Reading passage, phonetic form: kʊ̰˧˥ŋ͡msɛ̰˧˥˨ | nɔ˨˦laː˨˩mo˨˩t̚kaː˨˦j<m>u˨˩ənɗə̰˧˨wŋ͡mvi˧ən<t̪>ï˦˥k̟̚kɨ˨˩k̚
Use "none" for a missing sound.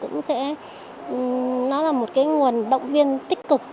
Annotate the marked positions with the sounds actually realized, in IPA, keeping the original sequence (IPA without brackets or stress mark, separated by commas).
ŋ, t̪